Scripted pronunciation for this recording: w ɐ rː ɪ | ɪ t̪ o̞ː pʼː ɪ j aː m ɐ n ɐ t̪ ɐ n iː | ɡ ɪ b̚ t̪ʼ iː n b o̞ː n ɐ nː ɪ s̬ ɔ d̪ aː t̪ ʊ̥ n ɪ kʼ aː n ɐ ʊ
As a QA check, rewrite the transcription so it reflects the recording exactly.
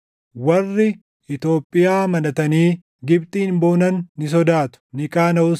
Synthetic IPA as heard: w ɐ rː ɪ | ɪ t̪ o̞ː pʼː ɪ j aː m ɐ n ɐ t̪ ɐ n iː | ɡ ɪ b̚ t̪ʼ iː n b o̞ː n ɐ nː ɪ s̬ ɔ d̪ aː t̪ ʊ̥ n ɪ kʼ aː n ɐ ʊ